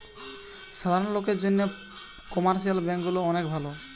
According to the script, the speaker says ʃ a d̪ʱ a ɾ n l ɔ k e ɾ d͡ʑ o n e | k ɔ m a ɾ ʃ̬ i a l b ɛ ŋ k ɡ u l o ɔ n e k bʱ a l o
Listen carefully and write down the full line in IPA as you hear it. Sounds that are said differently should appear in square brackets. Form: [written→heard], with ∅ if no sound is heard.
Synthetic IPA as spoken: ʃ a d̪ʱ a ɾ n l [ɔ→o] k e ɾ d͡ʑ o [n→nː] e | k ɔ m a ɾ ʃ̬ i a l b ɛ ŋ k ɡ u l o ɔ n e k bʱ a l o